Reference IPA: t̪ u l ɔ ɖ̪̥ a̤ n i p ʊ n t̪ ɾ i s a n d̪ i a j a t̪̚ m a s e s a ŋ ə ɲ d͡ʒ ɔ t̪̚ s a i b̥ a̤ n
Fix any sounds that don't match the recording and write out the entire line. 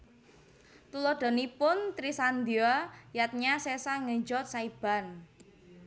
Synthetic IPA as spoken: t̪ u l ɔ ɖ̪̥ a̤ n i p ʊ n t̪ ɾ i s a n d̪ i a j a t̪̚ ɲ a s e s a ŋ ə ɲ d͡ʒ ɔ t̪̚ s a i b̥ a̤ n